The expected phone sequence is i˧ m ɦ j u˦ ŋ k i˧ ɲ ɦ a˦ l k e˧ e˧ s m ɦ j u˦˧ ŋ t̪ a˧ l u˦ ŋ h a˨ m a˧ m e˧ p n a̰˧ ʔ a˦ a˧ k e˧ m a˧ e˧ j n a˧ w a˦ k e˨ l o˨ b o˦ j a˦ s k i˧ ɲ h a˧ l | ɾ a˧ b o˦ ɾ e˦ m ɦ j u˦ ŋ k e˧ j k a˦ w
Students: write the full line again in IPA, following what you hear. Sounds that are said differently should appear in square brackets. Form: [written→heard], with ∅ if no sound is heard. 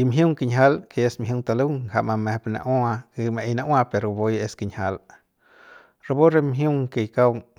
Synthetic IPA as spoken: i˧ m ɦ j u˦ ŋ k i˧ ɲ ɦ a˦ l k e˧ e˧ s m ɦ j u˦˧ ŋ t̪ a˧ l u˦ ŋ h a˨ m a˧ m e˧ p n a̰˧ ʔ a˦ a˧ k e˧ m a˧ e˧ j n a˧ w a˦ [k→p] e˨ [l→ɾ] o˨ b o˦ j [a˦→e˦] s k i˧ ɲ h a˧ l | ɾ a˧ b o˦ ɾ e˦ m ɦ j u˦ ŋ k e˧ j k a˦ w